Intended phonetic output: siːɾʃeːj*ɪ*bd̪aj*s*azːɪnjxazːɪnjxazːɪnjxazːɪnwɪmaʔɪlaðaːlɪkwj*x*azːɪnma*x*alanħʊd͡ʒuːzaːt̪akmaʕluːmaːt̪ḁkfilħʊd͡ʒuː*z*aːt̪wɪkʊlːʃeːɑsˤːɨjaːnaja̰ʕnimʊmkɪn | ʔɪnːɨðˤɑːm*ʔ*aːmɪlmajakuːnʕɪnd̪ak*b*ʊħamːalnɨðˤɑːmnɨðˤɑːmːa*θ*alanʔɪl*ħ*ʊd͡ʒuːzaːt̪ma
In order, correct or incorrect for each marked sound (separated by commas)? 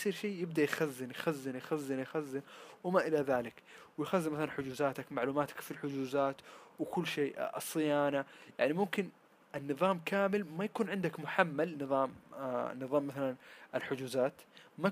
correct, incorrect, correct, incorrect, correct, incorrect, incorrect, correct, correct